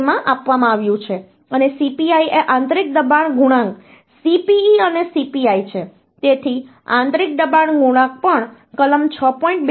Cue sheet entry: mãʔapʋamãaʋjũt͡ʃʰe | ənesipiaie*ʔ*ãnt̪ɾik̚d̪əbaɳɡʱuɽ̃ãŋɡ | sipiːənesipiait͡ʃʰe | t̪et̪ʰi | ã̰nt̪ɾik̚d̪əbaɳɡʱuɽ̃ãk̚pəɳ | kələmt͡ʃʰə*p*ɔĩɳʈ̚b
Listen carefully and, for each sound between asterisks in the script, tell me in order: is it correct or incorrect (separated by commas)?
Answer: correct, correct